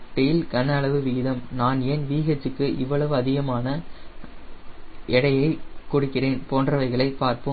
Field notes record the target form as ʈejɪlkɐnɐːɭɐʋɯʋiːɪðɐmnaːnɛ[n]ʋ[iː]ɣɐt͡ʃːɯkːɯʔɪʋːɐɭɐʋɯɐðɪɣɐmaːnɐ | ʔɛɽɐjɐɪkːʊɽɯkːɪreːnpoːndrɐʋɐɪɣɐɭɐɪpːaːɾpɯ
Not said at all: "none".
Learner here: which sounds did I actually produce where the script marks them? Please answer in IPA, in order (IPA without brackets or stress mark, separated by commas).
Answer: n, iː